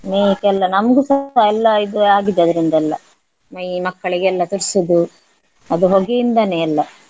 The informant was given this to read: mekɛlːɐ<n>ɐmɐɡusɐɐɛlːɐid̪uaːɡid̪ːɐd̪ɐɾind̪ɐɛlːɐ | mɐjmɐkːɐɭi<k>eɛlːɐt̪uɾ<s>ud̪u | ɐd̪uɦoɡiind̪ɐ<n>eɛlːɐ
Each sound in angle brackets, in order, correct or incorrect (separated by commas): correct, incorrect, correct, correct